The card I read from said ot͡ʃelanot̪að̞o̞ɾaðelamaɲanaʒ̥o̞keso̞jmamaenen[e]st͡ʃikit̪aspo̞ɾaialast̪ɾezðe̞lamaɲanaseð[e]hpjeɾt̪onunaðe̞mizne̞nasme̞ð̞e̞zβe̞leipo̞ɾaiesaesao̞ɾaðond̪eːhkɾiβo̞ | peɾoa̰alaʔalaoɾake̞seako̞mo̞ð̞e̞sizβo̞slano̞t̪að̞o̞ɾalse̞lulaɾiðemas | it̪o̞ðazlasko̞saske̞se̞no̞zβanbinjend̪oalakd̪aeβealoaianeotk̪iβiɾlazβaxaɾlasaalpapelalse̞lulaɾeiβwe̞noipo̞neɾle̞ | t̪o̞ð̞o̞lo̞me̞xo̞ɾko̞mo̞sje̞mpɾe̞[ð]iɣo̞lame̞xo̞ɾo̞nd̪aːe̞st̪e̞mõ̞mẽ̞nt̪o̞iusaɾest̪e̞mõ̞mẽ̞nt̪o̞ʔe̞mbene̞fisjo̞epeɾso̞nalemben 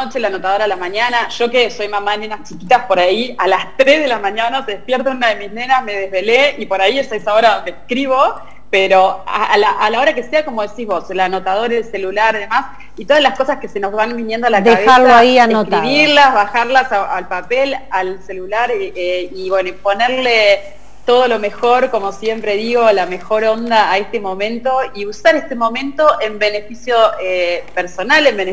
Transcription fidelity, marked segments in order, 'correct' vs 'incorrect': incorrect: a, correct, correct

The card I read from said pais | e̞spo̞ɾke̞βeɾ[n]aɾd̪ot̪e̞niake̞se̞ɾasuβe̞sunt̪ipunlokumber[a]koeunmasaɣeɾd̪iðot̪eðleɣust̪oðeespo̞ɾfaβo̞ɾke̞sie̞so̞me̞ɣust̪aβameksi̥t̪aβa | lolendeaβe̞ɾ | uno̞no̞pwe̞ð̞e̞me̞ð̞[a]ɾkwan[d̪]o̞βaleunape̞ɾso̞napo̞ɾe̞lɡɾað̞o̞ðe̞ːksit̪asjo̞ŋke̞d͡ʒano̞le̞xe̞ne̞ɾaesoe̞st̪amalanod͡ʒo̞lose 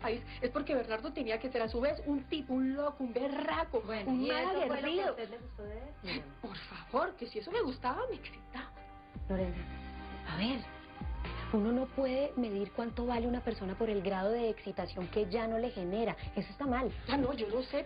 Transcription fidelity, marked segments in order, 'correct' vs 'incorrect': correct, correct, incorrect: i, incorrect: t̪

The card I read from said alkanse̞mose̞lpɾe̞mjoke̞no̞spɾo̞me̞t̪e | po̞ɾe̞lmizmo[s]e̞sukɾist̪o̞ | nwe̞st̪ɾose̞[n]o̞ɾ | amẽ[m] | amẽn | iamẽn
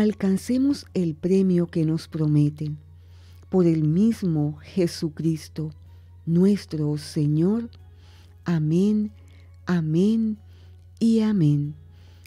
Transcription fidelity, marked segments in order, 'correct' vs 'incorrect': incorrect: x, incorrect: ɲ, incorrect: n

